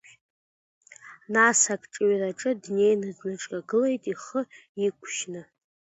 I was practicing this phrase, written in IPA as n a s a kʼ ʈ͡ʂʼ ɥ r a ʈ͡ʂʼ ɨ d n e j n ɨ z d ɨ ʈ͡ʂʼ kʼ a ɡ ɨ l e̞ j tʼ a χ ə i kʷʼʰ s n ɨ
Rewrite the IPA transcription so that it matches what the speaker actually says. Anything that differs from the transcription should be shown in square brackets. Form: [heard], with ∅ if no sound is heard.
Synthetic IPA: n a s a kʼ ʈ͡ʂʼ ɥ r a ʈ͡ʂʼ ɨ d n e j n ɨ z [n] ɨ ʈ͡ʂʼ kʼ a ɡ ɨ l e̞ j tʼ [i] χ ə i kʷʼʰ [ʃ] n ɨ

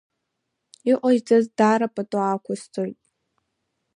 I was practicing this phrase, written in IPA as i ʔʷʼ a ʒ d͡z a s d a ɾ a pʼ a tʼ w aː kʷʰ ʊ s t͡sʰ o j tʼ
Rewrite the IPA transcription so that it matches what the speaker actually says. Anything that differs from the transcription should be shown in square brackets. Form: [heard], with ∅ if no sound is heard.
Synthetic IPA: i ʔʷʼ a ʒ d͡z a [z] d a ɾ a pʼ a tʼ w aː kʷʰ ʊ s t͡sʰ o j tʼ

